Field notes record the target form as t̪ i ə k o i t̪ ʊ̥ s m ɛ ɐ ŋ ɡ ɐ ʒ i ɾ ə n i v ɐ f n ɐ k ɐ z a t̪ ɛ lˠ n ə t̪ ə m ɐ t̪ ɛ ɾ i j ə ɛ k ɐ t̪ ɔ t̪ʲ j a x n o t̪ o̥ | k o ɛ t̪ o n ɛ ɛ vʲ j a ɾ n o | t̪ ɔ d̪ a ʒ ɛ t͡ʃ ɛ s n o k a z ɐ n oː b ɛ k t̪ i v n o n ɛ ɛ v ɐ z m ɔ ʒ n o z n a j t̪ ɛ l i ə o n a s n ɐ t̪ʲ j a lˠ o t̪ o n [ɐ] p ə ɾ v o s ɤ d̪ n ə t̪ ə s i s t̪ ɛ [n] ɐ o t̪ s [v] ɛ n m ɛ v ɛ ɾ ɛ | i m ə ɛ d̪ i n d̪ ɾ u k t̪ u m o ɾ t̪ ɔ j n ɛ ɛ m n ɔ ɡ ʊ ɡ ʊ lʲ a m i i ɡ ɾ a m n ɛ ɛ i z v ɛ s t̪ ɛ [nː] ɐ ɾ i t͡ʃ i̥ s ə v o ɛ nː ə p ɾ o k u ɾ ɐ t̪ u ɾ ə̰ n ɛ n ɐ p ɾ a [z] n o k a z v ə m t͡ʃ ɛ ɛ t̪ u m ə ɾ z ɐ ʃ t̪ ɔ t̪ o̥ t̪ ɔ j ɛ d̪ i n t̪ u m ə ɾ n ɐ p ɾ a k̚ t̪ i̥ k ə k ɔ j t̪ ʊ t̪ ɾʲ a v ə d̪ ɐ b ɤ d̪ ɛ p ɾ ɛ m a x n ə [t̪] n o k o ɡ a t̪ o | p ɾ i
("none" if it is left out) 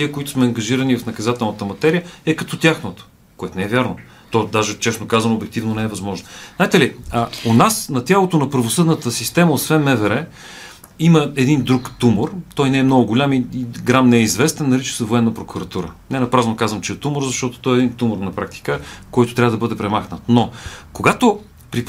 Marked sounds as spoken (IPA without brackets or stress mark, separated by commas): ɐ, m, v, nː, z, t̪